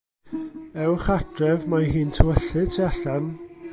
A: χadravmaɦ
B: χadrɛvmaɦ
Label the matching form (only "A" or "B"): B